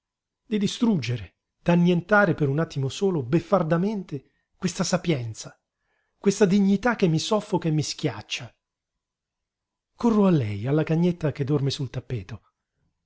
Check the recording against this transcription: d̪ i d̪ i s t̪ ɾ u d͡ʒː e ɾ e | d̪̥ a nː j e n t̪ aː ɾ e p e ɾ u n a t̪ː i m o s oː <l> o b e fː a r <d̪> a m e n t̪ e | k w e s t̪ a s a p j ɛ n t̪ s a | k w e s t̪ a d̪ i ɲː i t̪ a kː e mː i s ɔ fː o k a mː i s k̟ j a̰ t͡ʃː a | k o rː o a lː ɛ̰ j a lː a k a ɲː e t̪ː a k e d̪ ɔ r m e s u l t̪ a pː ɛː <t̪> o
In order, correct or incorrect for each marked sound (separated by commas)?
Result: correct, correct, correct